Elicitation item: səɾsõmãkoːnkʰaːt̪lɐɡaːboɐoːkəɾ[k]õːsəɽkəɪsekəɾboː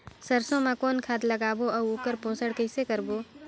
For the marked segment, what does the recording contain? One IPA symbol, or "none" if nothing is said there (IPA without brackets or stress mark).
p